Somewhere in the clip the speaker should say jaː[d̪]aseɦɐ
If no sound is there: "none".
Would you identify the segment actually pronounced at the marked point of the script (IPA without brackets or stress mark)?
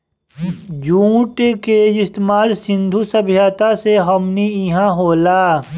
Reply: t̪